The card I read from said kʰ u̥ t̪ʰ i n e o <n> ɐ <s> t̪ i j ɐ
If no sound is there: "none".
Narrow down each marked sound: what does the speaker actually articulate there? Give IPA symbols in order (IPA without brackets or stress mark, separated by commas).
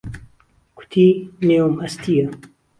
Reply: m, s